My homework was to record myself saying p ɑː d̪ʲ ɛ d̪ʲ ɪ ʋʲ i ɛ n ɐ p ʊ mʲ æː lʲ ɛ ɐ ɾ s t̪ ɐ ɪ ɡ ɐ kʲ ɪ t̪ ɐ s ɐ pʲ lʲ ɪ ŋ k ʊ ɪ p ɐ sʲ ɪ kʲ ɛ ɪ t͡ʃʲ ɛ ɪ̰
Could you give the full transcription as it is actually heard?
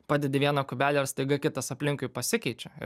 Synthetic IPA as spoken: p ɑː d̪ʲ ɛ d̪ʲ ɪ ʋʲ i ɛ n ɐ k ʊ bʲ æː lʲ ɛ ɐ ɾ s t̪ ɐ ɪ ɡ ɐ kʲ ɪ t̪ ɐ s ɐ pʲ lʲ ɪ ŋ k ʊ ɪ p ɐ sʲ ɪ kʲ ɛ ɪ t͡ʃʲ ɛ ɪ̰